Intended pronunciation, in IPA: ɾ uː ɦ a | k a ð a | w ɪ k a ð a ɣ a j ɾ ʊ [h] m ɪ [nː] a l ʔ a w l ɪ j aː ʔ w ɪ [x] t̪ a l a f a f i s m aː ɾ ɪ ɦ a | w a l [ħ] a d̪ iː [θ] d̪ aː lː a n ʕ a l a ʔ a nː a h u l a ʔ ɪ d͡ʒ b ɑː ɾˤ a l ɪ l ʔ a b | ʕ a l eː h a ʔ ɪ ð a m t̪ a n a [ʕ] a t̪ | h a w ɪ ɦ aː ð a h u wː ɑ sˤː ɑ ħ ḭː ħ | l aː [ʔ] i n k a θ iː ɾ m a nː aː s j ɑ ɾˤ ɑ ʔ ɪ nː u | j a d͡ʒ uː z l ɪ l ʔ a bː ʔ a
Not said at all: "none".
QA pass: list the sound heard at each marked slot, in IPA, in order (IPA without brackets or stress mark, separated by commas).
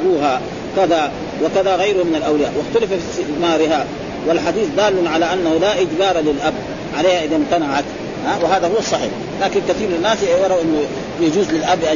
h, n, x, ħ, θ, ʕ, k